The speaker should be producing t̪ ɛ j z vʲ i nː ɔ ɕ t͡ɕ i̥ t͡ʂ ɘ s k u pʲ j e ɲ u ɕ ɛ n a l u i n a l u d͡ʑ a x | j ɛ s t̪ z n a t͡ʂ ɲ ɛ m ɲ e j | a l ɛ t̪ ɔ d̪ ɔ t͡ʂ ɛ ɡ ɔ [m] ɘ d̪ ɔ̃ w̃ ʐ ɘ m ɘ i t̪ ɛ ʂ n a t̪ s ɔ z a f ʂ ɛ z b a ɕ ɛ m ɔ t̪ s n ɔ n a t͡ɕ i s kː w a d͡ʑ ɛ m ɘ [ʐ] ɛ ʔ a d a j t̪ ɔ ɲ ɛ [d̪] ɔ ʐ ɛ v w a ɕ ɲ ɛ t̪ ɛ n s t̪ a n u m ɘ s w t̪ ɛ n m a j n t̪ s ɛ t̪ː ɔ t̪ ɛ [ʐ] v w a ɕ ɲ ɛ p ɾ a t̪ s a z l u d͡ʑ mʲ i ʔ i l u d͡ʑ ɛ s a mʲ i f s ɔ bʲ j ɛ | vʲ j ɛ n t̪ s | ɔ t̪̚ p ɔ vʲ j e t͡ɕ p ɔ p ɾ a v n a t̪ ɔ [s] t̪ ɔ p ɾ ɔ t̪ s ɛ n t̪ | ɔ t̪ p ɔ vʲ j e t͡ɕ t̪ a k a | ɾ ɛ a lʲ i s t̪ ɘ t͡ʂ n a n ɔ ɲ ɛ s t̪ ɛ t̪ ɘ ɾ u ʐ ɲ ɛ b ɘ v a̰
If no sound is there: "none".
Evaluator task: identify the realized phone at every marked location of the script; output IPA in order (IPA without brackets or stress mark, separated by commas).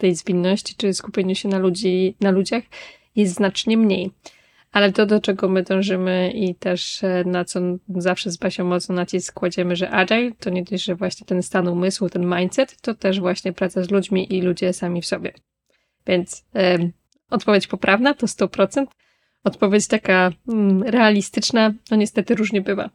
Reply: m, ʐ, d̪, ʐ, s